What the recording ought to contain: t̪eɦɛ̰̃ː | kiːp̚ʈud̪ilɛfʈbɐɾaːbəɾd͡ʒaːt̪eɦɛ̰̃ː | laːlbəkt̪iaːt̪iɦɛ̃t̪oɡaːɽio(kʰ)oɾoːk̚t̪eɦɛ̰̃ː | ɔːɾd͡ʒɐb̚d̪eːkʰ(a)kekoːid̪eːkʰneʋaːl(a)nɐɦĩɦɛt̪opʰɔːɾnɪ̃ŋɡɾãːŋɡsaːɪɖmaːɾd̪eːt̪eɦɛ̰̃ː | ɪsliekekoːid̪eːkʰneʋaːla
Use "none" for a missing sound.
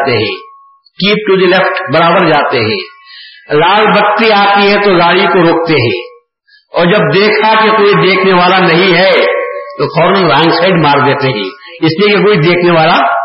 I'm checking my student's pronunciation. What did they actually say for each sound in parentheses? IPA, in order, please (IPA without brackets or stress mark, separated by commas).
k, a, a